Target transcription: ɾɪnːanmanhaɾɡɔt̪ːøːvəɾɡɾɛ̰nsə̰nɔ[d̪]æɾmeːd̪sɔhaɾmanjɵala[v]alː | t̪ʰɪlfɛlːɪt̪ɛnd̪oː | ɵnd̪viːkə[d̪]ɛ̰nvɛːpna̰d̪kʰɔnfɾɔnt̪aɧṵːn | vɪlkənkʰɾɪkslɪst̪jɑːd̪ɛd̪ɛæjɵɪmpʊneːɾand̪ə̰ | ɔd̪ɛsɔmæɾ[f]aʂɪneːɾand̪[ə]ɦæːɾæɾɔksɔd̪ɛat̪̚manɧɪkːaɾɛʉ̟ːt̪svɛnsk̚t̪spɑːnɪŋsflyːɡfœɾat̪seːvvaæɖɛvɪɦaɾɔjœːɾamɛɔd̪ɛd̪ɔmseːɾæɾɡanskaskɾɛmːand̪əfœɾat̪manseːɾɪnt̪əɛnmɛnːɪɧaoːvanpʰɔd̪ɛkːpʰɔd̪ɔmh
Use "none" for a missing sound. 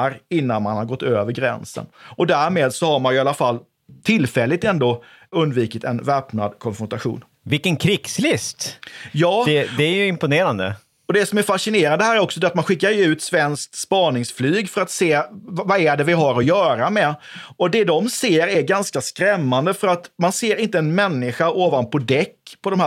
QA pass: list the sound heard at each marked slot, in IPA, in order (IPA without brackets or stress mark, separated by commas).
d̪, f, t̪, f, ə